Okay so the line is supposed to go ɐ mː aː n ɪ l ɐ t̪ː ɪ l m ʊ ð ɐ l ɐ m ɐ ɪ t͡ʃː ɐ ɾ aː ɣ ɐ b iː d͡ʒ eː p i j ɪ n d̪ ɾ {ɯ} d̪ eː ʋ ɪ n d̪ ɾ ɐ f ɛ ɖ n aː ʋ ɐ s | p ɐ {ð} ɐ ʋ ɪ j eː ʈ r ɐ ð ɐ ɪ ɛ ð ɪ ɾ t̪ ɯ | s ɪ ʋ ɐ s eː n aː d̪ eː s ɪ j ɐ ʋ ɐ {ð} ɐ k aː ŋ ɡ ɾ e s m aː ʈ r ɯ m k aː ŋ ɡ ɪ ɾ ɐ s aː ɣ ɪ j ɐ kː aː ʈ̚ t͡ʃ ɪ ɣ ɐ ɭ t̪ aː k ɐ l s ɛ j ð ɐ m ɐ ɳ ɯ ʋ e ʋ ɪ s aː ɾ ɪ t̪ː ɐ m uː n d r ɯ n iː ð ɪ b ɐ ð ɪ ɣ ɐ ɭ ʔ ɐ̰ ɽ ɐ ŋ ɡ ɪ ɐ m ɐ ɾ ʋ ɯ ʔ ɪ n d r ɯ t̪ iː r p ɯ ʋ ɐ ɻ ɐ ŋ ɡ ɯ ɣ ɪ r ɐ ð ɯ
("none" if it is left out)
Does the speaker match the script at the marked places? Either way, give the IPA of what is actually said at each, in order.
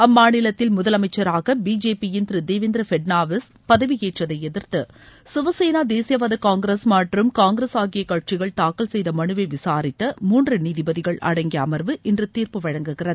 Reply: ɯ, ð, ð

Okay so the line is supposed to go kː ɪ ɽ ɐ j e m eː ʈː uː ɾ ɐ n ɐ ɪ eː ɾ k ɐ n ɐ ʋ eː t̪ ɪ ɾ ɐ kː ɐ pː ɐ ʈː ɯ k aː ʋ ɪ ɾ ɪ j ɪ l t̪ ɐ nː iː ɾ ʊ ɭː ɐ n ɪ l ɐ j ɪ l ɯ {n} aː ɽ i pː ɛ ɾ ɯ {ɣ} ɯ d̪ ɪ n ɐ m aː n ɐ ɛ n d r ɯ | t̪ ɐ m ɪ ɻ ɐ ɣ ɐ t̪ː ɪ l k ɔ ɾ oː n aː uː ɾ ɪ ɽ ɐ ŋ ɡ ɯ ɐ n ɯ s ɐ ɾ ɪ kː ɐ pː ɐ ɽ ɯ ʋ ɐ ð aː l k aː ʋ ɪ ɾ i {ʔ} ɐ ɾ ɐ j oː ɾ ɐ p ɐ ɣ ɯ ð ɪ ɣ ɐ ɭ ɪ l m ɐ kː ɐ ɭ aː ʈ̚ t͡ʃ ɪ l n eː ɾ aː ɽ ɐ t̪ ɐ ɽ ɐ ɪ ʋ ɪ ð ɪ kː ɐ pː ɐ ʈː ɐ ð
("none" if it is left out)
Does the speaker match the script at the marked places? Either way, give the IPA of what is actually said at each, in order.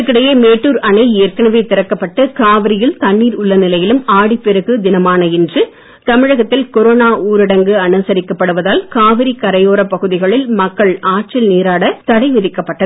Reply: m, ɣ, k

